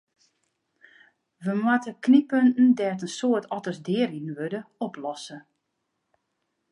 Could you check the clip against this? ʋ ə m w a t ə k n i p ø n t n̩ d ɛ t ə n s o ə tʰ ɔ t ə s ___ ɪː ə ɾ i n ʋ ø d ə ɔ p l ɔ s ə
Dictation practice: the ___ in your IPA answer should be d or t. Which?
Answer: d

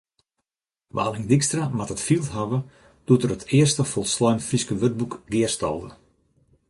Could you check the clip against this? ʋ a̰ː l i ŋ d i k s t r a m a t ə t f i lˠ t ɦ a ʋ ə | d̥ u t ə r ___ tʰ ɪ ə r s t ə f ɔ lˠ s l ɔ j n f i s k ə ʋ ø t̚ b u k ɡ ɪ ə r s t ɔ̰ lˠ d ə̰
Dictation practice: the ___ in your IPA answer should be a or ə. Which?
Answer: ə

